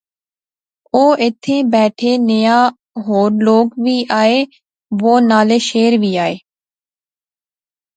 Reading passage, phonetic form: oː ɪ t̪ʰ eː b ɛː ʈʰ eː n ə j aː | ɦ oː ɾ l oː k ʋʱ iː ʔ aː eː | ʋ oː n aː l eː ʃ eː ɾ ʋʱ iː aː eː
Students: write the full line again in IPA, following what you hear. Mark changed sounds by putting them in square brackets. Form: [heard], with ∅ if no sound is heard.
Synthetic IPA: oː ɪ t̪ʰ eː b ɛː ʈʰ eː n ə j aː | ɦ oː ɾ l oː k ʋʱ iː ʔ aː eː | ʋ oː n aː l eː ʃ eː ɾ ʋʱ iː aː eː